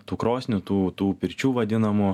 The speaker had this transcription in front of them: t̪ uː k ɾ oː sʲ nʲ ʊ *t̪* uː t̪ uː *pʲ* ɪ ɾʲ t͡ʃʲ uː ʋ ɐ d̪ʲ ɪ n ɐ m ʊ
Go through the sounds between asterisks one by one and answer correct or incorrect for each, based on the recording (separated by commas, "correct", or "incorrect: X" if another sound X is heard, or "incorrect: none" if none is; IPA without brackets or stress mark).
correct, correct